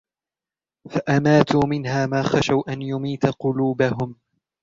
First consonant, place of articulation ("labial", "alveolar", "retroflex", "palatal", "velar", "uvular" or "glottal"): labial